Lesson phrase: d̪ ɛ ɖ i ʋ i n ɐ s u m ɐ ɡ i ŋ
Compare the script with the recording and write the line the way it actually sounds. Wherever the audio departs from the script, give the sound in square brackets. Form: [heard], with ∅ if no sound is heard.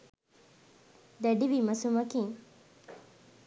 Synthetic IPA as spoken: d̪ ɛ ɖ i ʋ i [m] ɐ s u m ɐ [k] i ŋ